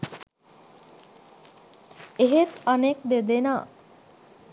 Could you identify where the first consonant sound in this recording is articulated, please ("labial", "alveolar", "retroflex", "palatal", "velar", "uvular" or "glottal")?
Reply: glottal